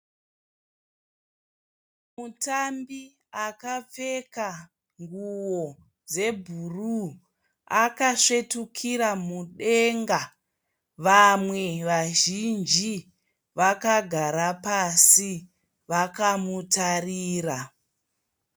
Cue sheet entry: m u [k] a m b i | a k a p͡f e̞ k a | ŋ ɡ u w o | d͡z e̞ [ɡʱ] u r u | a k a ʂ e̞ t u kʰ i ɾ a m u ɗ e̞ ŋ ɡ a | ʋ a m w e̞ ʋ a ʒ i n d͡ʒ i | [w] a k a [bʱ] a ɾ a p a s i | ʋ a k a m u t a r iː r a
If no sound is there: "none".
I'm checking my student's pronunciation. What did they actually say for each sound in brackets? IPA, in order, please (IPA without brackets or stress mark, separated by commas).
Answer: t, bʱ, ʋ, ɡʱ